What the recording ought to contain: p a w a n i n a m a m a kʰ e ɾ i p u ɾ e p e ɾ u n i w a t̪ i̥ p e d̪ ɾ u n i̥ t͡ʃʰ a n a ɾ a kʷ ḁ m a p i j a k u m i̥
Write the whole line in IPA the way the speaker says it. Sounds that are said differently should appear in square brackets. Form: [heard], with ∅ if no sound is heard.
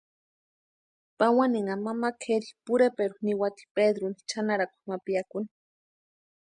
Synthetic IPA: p a w a n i [ŋ] a m a m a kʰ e ɾ i p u ɾ e p e ɾ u n i w a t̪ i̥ p e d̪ ɾ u n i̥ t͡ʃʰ a n a ɾ a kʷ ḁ m a p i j a k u [n] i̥

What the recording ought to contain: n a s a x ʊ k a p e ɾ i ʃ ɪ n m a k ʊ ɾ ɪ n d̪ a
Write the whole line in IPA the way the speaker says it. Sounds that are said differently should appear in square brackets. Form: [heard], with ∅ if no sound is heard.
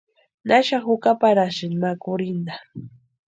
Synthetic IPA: n a [ʃ] a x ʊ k a p [a] ɾ [a] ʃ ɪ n m a k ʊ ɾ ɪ n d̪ a

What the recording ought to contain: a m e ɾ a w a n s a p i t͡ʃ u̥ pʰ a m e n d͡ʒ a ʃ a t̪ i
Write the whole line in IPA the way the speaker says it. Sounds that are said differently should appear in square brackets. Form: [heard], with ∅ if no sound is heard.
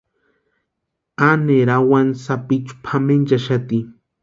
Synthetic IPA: a [n] e ɾ a w a n s a p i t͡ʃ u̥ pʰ a m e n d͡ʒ a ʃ a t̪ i

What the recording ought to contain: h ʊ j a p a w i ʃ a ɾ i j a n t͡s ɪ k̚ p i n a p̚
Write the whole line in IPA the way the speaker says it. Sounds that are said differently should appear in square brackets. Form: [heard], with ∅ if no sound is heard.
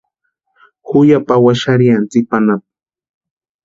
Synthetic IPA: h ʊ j a p a w [a] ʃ a ɾ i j a n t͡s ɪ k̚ p [a] n a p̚

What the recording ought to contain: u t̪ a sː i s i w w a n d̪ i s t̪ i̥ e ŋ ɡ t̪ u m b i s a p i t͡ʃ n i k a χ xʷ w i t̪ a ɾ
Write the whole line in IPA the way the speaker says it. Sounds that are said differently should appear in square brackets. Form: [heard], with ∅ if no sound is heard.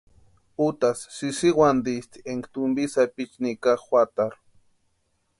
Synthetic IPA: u t̪ a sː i s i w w a n d̪ i s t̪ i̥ e ŋ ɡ t̪ u m b i s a p i t͡ʃ n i k a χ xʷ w [a] t̪ a ɾ

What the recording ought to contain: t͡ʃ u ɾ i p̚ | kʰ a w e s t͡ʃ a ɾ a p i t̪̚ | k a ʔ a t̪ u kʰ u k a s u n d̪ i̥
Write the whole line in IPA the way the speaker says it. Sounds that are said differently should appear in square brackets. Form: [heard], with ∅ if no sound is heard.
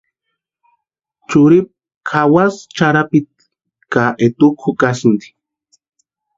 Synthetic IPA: t͡ʃ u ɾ i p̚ | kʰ a w [a] s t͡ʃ a ɾ a p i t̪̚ | k a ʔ [e] t̪ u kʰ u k a s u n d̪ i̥

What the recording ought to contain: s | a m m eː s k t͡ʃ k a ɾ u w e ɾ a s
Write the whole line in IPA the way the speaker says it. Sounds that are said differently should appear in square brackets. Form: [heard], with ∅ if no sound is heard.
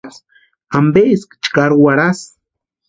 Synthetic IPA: s | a m [b] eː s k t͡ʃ k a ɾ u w [a] ɾ a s

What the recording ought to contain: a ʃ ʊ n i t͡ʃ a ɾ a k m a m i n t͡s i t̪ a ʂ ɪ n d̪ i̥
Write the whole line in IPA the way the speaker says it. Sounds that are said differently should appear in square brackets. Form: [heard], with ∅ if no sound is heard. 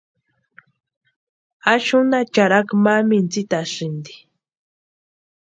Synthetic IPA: a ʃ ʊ n [a] t͡ʃ a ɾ a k m a m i n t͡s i t̪ a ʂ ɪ n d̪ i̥

